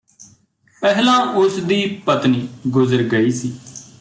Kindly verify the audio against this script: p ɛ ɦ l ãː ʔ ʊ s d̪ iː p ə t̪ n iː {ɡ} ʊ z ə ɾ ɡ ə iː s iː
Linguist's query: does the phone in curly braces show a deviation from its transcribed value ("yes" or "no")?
no